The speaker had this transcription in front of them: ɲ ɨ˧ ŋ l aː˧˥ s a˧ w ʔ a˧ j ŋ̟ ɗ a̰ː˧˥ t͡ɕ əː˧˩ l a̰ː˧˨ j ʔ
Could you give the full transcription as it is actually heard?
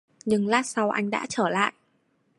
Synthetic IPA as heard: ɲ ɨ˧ ŋ l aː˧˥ s a˧ w ʔ a˧ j ŋ̟ ɗ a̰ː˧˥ t͡ɕ əː˧˩ l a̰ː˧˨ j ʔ